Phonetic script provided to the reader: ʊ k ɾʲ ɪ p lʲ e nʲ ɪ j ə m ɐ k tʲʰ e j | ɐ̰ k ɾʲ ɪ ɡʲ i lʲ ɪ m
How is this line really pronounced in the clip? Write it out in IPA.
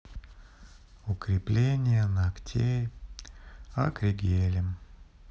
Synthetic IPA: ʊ k ɾʲ ɪ p lʲ e nʲ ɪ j ə n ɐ k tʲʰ e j | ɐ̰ k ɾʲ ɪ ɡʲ e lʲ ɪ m